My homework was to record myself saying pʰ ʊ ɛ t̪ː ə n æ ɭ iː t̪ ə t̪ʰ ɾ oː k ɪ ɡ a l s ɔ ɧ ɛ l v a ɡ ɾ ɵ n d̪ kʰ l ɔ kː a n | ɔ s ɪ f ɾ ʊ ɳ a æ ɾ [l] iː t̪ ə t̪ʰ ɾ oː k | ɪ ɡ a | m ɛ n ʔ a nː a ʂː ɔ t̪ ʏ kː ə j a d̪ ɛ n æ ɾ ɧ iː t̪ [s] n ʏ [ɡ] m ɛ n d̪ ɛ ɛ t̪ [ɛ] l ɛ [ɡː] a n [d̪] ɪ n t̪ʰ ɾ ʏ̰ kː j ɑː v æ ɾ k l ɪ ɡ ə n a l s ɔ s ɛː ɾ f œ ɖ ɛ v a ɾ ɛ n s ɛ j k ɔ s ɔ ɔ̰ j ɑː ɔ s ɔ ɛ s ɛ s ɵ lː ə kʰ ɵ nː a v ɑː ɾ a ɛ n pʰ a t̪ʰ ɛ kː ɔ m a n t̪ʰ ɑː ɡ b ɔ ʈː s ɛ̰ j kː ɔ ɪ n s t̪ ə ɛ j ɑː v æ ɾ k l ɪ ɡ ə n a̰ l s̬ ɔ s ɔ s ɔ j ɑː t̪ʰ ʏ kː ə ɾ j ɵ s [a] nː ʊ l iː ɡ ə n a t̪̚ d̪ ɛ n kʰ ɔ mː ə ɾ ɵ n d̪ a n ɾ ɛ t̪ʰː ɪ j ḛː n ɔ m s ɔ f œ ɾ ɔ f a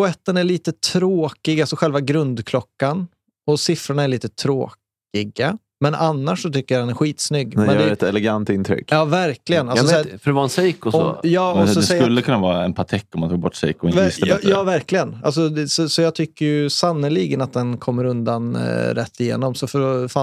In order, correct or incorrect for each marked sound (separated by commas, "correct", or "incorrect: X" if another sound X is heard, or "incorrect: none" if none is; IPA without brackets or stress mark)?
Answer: incorrect: ɭ, correct, incorrect: ɡː, correct, incorrect: ɡ, incorrect: t̪, correct